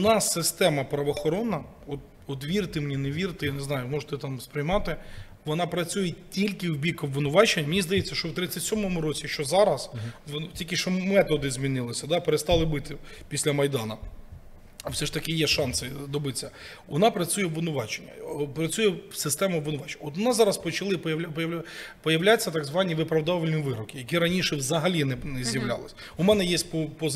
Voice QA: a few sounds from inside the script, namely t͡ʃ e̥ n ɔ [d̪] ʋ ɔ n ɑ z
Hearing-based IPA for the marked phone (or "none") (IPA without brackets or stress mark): t̪